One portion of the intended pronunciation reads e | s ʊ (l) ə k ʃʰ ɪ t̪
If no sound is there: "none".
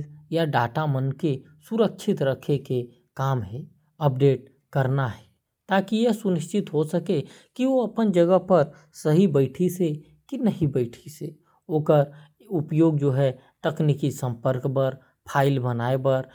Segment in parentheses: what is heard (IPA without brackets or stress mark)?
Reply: ɾ